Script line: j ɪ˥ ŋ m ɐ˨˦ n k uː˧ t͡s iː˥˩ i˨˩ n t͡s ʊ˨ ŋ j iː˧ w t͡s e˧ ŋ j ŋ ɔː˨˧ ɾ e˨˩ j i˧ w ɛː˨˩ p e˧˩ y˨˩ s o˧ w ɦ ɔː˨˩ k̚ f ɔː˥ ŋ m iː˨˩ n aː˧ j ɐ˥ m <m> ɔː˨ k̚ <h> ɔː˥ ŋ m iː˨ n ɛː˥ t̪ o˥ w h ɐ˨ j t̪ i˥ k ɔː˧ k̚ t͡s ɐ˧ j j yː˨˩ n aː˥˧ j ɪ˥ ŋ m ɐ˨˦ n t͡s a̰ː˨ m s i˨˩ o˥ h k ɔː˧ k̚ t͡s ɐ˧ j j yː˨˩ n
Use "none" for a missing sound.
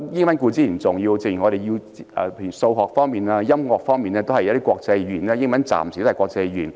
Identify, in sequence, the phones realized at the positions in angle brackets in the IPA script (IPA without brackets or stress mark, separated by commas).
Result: ŋ, f